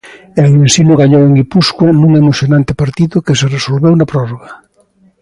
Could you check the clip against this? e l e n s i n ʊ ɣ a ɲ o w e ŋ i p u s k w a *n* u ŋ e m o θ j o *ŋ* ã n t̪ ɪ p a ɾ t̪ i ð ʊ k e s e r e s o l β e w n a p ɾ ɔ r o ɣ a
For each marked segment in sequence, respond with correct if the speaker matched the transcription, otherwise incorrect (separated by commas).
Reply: correct, incorrect